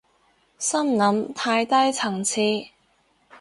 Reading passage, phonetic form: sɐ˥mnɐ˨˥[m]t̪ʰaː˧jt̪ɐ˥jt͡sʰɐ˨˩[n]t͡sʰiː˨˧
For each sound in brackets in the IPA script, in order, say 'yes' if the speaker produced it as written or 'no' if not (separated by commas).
yes, no